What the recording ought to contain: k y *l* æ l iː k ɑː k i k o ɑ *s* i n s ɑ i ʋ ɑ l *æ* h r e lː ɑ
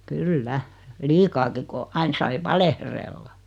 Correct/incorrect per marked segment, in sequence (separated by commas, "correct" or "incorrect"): incorrect, incorrect, incorrect